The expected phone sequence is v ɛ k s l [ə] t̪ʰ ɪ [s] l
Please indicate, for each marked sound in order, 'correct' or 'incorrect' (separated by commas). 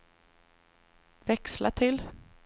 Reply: incorrect, incorrect